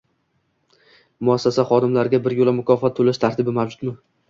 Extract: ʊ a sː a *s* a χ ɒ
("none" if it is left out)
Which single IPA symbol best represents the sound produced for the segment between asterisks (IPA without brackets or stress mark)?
s